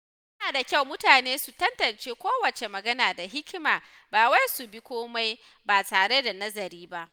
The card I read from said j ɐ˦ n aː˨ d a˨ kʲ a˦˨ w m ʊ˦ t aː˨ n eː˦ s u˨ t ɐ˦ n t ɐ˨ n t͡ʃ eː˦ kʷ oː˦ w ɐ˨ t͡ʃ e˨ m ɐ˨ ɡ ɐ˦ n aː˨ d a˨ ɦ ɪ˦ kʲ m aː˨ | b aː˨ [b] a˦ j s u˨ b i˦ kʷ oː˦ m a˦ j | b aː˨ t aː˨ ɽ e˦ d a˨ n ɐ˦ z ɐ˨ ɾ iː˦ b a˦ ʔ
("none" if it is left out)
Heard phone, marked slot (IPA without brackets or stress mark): w